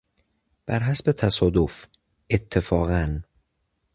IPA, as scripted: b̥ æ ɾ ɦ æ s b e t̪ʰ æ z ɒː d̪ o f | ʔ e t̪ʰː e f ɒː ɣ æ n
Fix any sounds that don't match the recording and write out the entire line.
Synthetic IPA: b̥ æ ɾ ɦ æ s b e t̪ʰ æ s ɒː d̪ o f | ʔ e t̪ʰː e f ɒː ɣ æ n